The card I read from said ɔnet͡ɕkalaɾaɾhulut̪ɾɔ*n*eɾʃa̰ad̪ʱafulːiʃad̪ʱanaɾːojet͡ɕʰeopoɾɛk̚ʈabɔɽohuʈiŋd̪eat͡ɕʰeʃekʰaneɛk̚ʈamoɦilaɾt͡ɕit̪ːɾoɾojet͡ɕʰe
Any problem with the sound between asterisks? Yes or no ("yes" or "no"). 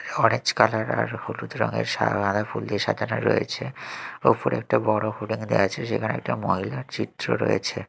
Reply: yes